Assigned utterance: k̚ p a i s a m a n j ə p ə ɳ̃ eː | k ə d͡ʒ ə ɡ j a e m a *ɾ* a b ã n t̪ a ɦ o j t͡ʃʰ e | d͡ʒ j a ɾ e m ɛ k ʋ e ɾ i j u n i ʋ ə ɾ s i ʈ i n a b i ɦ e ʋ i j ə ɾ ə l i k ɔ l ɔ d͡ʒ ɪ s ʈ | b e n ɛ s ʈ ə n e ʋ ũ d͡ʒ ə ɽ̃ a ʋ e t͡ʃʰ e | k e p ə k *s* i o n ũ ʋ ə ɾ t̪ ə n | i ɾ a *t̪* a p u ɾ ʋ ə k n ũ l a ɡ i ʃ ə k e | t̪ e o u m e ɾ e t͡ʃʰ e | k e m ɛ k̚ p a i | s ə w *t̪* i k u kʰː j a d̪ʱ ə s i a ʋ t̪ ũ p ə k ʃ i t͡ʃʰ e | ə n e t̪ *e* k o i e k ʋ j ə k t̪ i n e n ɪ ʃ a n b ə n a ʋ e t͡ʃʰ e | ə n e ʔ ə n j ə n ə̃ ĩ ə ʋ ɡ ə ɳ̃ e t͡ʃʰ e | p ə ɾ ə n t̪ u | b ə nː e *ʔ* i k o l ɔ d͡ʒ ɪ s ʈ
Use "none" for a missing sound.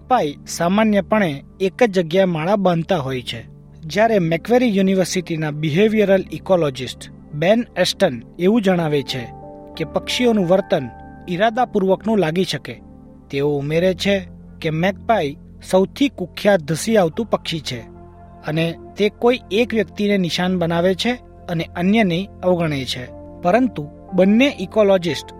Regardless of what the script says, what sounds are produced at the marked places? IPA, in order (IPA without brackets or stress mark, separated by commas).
ɭ, ʃ, d̪, t̪ʰ, e, ʔ